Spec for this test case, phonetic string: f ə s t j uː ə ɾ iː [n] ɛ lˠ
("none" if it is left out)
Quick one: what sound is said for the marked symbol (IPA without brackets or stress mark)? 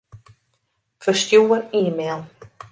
m